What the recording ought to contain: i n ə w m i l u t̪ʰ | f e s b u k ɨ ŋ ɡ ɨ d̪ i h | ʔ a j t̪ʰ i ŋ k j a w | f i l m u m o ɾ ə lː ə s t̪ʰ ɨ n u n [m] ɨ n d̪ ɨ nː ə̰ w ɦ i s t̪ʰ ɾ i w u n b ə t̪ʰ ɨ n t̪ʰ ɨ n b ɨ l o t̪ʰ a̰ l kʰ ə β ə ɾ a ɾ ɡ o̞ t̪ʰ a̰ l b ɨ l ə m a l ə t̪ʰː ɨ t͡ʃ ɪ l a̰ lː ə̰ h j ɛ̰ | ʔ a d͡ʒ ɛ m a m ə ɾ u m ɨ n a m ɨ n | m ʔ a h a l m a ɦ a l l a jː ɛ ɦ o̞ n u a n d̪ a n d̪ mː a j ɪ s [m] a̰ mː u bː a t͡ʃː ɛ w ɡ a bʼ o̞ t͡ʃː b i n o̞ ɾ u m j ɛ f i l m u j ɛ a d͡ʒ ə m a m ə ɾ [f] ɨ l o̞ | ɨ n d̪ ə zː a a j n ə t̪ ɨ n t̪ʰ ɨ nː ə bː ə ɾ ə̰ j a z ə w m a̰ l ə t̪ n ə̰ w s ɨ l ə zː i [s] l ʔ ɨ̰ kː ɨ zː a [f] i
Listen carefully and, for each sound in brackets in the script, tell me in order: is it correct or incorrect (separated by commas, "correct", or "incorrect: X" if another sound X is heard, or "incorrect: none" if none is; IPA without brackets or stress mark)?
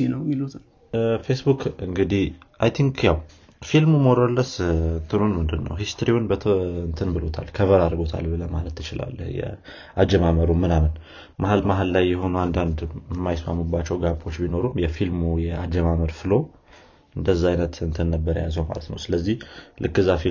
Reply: correct, correct, correct, incorrect: h, correct